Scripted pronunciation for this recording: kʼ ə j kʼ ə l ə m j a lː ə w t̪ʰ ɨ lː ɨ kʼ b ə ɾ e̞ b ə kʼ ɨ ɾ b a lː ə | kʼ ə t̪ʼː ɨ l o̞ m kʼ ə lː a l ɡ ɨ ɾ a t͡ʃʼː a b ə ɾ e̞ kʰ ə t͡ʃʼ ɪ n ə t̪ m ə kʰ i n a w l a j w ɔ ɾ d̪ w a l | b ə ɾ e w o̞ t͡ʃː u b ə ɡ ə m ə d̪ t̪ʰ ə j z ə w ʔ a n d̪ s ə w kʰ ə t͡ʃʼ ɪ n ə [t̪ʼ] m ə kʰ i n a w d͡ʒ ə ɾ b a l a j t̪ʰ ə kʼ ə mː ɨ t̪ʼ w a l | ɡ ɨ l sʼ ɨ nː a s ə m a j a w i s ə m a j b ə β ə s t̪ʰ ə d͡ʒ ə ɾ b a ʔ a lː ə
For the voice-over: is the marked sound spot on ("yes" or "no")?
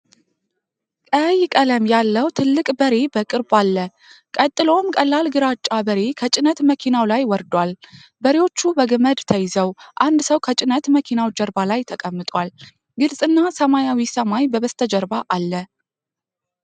no